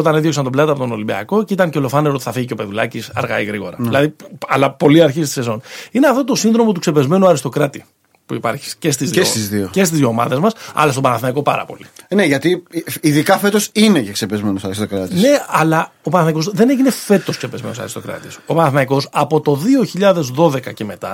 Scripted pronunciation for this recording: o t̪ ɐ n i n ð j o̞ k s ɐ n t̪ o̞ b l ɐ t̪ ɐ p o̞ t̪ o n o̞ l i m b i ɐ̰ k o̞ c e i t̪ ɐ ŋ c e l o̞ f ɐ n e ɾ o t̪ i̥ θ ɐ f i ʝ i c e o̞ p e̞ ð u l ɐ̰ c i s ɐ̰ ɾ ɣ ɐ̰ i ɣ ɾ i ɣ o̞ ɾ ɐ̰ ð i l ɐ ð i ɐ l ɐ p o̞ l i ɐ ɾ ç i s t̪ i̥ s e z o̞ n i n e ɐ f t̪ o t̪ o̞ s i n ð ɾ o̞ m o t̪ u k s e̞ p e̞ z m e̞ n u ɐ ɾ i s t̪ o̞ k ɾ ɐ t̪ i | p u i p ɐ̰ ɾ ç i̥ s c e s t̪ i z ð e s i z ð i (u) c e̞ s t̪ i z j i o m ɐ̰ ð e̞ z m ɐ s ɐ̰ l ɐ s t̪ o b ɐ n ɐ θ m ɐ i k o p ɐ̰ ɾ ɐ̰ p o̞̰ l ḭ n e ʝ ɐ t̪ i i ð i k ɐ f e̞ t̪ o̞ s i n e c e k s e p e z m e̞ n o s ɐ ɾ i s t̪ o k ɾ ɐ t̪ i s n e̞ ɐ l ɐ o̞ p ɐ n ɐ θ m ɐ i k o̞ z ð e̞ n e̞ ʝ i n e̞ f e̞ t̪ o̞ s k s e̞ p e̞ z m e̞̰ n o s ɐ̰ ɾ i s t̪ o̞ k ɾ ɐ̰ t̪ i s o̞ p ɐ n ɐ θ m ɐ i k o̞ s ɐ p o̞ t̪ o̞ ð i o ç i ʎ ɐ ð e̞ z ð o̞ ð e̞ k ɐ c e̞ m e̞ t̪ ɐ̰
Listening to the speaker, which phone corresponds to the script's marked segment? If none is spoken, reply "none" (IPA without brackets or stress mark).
o